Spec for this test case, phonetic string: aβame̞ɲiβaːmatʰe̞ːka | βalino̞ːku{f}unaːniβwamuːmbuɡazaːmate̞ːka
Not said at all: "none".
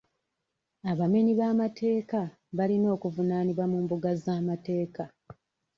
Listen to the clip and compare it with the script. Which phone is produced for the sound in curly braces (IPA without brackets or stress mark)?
v